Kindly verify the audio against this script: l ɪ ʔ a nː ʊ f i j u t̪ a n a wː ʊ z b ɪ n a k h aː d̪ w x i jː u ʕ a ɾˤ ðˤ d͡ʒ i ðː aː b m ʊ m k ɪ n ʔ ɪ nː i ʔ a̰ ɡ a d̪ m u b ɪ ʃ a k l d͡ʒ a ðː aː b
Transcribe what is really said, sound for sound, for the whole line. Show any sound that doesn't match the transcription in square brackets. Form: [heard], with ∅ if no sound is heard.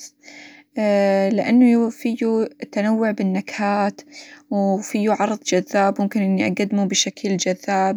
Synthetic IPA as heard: l ɪ ʔ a nː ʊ f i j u t̪ a n a wː ʊ [ʕ] b ɪ [nː] a k h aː [t̪] w [f] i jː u ʕ [ɑ] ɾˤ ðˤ d͡ʒ [a] ðː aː b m ʊ m k ɪ n ʔ ɪ nː i ʔ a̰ ɡ a d̪ m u b ɪ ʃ a k l d͡ʒ a ðː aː b